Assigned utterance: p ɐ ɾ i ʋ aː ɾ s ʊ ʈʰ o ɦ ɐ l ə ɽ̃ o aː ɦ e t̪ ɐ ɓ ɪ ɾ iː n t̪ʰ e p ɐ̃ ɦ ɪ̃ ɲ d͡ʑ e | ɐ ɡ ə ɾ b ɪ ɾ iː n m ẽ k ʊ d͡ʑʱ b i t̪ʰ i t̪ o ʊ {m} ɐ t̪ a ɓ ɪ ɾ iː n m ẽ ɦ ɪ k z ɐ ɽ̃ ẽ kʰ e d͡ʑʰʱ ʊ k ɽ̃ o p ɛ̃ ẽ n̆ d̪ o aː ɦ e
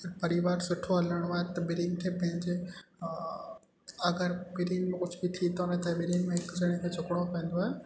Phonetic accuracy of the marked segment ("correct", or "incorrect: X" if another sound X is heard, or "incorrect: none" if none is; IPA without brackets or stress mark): incorrect: n